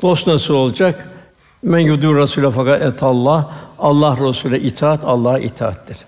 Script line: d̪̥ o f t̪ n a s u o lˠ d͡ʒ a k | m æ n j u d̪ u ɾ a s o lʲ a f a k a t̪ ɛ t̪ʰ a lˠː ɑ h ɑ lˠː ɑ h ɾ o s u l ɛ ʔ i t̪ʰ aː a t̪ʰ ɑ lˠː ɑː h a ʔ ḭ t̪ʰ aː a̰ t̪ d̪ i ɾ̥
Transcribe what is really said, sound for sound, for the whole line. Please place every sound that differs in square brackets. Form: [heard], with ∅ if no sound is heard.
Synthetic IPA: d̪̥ o [s] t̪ n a s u o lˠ d͡ʒ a k | m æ n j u d̪ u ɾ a s [u] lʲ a f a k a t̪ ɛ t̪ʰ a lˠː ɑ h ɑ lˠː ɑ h ɾ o s u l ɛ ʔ i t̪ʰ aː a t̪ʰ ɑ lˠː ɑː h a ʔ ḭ t̪ʰ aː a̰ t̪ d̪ i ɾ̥